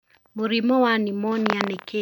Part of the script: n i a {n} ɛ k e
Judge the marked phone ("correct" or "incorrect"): correct